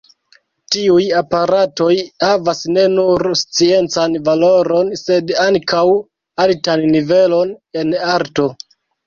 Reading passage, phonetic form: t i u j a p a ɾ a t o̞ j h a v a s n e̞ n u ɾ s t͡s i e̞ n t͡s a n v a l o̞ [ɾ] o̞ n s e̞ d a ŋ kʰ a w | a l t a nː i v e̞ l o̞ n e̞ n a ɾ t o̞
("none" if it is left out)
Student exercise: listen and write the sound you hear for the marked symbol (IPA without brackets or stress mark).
ɾ